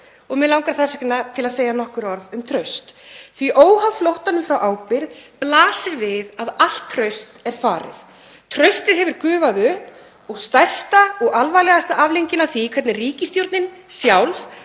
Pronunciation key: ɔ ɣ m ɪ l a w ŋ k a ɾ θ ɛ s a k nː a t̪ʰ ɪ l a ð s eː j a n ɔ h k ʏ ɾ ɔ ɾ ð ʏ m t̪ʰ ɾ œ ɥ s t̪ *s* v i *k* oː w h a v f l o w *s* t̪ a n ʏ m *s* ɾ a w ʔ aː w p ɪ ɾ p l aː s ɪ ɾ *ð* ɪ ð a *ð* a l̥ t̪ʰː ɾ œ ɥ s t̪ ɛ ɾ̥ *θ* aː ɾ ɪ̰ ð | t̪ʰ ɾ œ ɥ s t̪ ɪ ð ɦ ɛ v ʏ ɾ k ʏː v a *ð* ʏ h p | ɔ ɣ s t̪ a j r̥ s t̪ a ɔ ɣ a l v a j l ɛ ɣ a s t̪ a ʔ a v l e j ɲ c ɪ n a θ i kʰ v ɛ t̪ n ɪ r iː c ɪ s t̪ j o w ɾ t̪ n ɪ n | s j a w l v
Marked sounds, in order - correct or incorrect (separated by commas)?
incorrect, incorrect, incorrect, incorrect, incorrect, correct, incorrect, correct